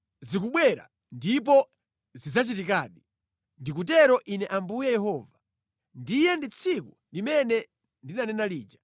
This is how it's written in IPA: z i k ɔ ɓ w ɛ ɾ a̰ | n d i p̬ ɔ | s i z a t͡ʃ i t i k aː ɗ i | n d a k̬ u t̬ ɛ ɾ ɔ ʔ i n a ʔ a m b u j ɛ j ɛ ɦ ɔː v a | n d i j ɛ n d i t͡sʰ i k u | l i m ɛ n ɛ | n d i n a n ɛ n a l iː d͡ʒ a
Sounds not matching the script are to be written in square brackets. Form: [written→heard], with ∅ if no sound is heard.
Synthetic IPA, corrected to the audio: z i k [ɔ→u] ɓ w ɛ ɾ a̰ | n d i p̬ ɔ | [s→z] i z a t͡ʃ i t i k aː ɗ i | n d [a→i] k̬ u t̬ ɛ ɾ ɔ ʔ i n [a→ɛ] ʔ a m b u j ɛ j ɛ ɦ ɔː v a | n d i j ɛ n d i t͡sʰ i k u | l i m ɛ n ɛ | n d i n a n ɛ n a l iː d͡ʒ a